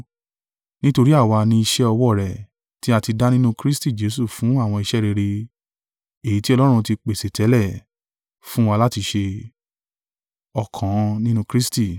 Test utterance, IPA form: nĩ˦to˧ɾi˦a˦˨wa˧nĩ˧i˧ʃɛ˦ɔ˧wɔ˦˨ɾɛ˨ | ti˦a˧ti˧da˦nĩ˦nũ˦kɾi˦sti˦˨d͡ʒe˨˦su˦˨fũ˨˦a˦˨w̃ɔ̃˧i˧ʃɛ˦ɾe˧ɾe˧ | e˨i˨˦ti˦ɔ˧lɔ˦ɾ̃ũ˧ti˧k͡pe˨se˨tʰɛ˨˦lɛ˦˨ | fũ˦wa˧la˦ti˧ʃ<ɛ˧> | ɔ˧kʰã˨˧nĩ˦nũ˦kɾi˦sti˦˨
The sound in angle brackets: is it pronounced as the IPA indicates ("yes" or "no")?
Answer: no